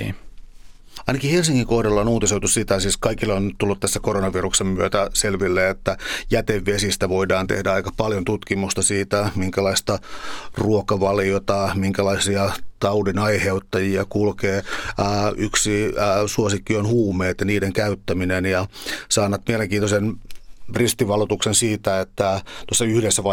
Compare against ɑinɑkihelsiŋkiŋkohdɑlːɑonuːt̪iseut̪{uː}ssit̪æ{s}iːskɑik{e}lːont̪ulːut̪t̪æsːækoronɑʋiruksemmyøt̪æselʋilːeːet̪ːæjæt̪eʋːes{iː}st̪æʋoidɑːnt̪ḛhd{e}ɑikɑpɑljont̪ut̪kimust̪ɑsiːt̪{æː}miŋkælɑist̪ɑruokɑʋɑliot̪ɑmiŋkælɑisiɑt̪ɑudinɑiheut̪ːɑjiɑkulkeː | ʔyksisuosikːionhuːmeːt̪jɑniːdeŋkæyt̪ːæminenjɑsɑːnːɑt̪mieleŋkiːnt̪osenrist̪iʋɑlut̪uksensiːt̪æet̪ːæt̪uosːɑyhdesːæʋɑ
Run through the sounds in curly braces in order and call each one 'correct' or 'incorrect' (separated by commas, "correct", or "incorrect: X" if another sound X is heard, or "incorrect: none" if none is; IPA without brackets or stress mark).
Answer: incorrect: u, correct, incorrect: i, incorrect: i, incorrect: æ, incorrect: æ